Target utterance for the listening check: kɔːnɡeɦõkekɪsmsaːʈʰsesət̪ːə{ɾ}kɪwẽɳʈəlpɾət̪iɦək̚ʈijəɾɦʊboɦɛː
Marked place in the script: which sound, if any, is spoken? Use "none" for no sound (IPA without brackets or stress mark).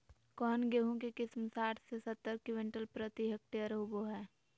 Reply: ɾ